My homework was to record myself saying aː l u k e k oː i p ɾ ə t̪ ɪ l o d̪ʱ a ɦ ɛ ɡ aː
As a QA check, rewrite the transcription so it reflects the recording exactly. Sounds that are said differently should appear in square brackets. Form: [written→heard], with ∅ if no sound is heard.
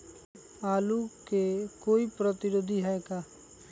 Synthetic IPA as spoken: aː l u k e k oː i p ɾ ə t̪ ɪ [l→ɾ] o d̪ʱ [a→i] ɦ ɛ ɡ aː

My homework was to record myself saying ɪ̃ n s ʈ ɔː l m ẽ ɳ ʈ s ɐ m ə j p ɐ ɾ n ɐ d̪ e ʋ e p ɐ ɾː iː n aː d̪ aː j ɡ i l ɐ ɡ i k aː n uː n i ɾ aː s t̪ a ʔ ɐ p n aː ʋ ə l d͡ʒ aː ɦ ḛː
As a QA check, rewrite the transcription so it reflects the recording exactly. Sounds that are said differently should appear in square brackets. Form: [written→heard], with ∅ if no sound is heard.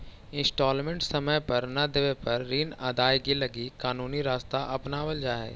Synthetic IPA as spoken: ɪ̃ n s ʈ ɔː l m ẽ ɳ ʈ s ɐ m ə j p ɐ ɾ n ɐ d̪ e ʋ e p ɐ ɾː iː n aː d̪ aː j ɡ i l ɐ ɡ i k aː n uː n i ɾ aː s t̪ a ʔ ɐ p n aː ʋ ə l d͡ʒ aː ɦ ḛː

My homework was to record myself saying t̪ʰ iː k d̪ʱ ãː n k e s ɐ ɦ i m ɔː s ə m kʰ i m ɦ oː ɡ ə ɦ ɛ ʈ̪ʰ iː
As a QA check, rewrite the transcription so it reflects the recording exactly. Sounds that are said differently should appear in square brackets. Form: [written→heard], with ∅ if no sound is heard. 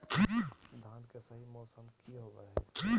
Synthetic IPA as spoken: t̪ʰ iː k d̪ʱ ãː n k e s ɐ ɦ i m ɔː s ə m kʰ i [m→∅] ɦ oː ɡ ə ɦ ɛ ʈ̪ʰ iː

